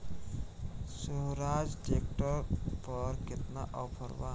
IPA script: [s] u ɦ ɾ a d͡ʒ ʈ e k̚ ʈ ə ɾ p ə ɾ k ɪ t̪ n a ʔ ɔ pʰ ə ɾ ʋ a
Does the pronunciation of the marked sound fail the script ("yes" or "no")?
no